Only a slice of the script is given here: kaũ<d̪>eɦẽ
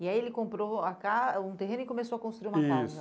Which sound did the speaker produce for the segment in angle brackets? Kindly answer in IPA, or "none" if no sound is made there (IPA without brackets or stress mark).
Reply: t̪